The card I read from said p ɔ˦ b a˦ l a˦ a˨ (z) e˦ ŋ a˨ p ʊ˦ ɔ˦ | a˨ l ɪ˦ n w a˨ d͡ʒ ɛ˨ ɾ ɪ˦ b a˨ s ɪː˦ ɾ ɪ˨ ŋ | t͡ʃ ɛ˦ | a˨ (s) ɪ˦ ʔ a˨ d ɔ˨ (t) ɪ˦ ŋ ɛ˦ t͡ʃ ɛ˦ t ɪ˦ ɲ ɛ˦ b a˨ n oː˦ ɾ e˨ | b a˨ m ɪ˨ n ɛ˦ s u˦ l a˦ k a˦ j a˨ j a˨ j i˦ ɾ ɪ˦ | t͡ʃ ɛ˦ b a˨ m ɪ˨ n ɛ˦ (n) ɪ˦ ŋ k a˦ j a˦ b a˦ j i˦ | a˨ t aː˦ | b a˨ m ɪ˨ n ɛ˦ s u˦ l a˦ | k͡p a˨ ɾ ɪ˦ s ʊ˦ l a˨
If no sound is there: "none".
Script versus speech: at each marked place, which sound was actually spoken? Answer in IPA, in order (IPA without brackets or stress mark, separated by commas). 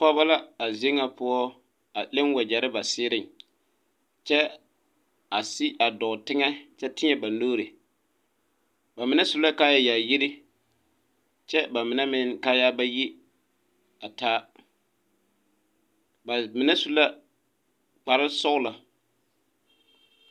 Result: z, s, t, m